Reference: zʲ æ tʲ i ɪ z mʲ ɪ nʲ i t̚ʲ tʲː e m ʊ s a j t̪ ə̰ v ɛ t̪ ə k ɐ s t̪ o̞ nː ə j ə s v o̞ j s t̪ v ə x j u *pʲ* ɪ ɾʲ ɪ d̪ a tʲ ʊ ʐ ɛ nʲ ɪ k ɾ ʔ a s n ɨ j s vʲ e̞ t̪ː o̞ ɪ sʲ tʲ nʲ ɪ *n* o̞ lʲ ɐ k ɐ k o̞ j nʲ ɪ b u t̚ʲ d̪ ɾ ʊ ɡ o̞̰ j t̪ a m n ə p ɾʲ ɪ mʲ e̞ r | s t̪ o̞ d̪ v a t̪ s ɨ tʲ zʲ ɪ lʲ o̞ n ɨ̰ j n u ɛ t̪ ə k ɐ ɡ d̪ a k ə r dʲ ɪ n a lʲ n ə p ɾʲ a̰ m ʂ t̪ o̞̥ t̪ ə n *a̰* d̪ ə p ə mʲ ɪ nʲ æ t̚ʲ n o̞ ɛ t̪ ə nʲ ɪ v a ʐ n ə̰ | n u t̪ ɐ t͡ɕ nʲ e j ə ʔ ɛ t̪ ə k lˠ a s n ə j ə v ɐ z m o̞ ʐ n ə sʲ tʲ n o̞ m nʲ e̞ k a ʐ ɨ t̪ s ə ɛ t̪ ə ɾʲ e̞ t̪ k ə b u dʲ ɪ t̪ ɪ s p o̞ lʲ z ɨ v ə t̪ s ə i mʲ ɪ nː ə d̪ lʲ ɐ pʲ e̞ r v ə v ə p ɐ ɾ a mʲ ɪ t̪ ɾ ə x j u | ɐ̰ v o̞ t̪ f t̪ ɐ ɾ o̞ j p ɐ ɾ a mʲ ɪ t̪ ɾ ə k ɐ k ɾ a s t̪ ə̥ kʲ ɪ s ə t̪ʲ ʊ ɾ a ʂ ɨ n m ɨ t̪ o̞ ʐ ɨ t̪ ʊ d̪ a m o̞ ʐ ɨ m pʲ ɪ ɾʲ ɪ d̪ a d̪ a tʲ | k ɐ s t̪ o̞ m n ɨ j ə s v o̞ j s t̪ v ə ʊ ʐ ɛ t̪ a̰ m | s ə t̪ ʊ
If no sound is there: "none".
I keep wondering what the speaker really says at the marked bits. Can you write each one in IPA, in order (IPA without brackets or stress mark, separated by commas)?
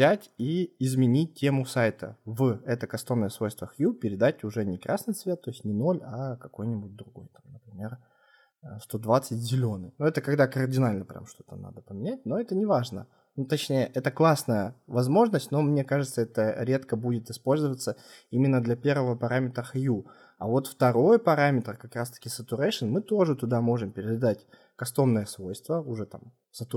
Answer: pʲ, n, a̰